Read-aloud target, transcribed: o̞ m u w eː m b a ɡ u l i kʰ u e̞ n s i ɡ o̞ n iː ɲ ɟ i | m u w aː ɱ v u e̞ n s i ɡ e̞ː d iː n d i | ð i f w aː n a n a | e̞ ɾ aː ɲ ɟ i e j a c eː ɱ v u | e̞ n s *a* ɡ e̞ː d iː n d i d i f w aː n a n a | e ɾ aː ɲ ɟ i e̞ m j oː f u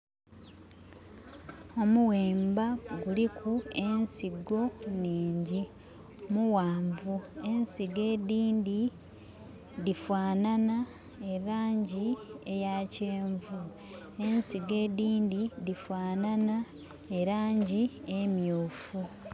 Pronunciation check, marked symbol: incorrect: i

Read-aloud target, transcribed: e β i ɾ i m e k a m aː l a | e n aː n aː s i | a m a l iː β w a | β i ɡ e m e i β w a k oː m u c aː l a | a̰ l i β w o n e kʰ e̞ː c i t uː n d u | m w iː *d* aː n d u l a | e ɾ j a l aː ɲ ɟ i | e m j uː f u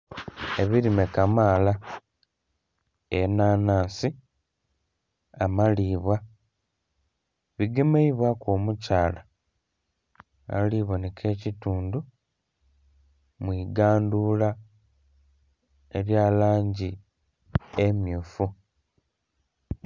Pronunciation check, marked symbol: incorrect: ɡ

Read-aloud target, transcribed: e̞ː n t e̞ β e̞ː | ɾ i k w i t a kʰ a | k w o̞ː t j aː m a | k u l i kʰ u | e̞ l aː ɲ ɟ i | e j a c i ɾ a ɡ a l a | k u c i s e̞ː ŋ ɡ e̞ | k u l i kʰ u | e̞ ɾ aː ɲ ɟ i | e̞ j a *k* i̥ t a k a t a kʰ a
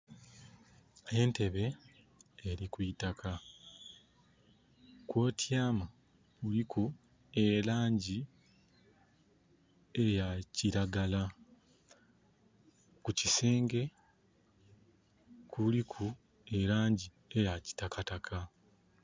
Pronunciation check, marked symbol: incorrect: c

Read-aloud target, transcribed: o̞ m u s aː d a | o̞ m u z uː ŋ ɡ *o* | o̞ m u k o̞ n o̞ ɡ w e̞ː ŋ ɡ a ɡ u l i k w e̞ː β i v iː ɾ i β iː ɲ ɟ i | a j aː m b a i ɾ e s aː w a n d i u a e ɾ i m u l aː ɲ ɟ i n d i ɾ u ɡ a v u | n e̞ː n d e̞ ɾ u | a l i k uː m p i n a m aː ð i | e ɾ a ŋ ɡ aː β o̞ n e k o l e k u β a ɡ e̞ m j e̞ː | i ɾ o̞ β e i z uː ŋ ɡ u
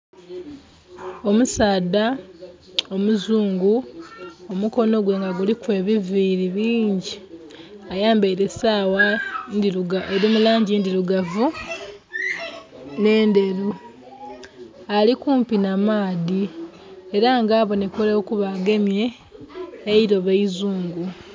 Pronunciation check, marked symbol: incorrect: u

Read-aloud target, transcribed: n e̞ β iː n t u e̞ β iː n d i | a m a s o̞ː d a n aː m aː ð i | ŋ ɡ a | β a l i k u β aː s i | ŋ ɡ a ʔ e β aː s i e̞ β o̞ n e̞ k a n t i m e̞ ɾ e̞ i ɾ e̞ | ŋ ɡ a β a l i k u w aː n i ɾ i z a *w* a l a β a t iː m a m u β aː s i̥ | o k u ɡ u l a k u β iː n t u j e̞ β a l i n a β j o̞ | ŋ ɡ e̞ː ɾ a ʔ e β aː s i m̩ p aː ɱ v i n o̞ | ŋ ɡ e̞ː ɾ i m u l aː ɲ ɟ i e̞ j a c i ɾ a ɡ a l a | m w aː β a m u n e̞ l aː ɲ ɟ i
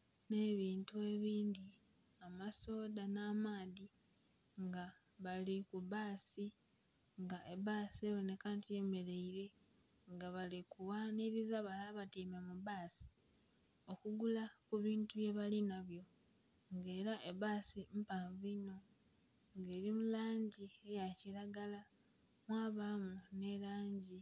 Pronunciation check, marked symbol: incorrect: β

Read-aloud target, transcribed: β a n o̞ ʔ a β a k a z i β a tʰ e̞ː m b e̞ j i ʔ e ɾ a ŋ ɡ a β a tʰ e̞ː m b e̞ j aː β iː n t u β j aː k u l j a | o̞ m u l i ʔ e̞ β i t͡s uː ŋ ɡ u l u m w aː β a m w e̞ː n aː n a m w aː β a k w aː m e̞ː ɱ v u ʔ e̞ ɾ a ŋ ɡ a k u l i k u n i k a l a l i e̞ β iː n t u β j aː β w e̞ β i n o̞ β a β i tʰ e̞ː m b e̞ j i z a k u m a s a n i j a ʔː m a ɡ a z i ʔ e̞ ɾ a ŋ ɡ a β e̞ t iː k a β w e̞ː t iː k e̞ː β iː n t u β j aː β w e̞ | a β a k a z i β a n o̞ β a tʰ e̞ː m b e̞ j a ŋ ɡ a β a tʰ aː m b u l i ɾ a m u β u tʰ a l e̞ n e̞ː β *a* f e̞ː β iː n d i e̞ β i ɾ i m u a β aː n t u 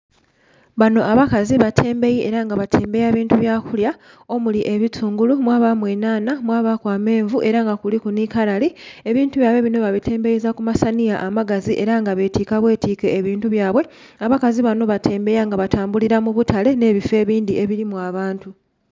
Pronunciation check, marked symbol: incorrect: i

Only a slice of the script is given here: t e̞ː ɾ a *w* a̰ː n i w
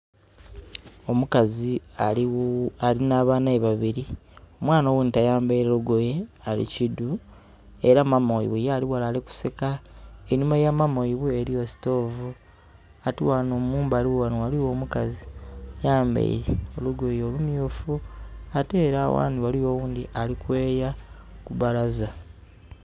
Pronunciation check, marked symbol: correct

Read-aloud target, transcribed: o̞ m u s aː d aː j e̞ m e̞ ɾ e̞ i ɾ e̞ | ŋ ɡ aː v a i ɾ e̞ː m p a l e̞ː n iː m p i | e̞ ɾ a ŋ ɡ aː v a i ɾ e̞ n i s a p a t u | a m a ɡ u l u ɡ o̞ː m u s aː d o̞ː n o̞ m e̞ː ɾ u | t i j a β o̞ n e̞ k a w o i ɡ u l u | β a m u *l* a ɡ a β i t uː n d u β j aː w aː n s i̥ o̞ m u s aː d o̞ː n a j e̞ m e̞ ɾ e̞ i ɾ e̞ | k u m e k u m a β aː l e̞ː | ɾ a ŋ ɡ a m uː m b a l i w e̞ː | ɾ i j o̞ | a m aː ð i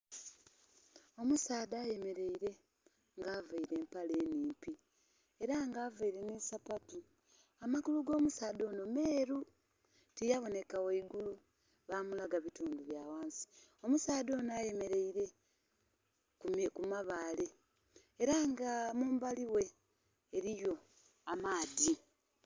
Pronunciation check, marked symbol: correct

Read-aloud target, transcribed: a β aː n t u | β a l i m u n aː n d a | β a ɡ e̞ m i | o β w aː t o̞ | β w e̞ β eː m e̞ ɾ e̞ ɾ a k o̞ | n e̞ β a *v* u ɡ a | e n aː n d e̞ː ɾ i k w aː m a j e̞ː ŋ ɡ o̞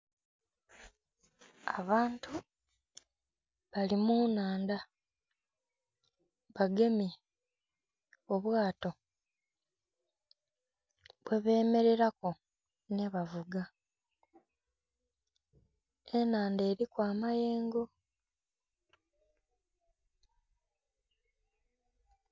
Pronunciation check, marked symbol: correct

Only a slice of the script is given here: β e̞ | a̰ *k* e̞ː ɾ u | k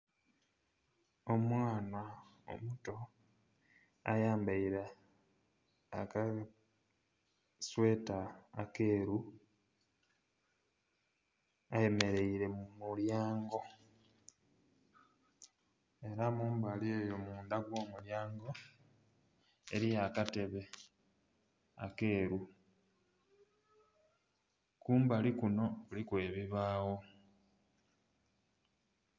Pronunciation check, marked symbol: correct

